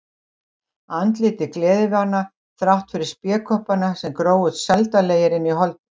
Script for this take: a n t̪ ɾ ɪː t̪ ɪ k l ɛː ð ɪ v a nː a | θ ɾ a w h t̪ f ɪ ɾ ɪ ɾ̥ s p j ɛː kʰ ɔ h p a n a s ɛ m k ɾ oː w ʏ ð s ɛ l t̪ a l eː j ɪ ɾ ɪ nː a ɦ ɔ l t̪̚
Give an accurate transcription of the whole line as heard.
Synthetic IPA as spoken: a n t̪ l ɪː t̪ ɪ k l ɛː ð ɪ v a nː a | θ ɾ a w h t̪ f ɪ ɾ ɪ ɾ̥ s p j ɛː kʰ ɔ h p a n a s ɛ m k ɾ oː w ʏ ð s ɛ l t̪ a l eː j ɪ ɾ ɪ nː i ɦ ɔ l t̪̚